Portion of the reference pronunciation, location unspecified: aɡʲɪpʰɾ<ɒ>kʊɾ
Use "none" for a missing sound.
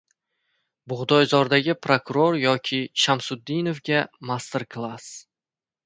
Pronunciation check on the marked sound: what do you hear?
o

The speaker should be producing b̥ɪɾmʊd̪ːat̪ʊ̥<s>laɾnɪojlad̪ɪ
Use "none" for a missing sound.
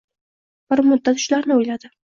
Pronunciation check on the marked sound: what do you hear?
ʃ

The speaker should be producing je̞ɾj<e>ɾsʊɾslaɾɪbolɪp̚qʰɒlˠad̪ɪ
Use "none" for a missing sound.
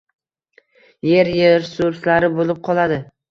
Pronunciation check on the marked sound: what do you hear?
e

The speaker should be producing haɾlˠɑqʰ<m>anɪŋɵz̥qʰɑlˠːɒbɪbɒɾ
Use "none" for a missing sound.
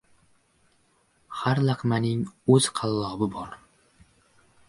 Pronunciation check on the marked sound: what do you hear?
m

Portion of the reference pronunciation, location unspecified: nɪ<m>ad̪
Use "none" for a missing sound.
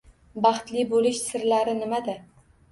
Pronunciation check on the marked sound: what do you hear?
m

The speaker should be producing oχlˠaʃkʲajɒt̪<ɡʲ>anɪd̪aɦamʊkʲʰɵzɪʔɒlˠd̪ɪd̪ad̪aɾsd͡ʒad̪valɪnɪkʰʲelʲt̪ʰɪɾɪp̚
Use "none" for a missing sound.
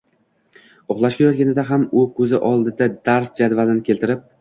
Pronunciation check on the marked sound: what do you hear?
ɡʲ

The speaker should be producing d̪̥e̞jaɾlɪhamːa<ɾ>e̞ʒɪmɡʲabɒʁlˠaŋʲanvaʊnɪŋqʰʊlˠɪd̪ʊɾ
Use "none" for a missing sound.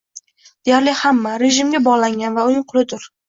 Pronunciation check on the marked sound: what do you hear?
ɾ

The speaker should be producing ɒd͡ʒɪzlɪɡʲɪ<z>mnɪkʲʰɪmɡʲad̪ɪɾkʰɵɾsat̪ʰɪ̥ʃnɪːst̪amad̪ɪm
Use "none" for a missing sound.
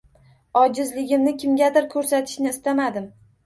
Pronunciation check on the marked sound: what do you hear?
none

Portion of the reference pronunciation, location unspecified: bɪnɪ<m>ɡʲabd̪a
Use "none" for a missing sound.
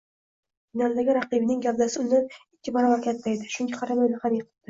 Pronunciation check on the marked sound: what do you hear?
ŋ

